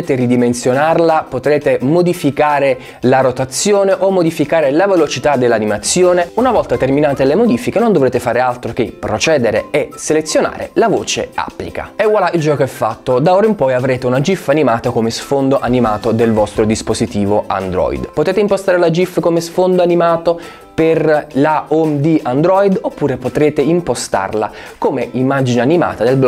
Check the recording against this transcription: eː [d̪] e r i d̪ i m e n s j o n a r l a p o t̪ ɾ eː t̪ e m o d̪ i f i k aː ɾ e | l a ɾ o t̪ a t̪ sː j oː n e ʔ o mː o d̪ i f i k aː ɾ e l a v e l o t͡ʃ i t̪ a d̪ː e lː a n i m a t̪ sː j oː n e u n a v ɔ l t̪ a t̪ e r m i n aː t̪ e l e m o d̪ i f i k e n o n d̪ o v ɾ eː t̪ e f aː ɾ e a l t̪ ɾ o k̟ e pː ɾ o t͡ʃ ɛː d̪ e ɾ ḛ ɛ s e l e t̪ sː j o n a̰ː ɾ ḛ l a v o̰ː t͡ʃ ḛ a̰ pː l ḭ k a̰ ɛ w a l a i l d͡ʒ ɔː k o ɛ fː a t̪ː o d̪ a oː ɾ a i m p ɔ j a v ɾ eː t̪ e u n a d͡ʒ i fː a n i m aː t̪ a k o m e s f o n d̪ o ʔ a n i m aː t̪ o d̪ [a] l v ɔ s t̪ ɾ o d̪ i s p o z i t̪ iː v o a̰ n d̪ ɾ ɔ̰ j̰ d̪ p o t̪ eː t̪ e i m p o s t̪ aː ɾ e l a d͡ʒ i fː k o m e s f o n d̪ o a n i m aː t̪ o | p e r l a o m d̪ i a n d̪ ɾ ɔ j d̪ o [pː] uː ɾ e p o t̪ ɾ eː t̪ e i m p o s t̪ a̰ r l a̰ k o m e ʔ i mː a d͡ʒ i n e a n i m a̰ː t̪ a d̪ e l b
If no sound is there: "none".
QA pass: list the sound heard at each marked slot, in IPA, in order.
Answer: t̪, e, pː

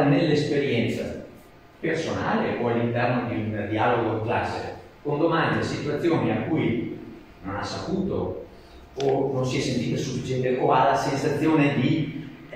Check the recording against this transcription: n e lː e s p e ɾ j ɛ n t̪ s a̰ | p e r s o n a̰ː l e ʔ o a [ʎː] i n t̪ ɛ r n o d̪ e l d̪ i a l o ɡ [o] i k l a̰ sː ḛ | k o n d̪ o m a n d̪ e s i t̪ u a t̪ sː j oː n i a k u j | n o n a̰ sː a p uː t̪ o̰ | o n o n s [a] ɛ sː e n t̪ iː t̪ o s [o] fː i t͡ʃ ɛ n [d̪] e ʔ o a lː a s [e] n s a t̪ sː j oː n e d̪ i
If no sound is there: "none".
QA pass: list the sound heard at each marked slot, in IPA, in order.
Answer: lː, o, i, u, t̪, e

